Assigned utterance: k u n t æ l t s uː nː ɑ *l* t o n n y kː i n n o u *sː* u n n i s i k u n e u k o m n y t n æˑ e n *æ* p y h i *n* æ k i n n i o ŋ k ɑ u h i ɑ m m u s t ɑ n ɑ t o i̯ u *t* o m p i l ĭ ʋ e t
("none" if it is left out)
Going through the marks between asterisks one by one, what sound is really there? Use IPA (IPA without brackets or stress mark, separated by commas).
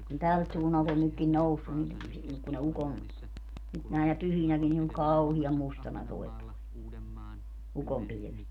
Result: l, sː, æ, n, k